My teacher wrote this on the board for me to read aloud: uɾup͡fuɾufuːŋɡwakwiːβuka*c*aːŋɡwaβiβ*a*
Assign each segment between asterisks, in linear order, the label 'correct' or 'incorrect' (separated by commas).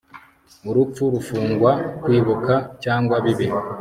correct, incorrect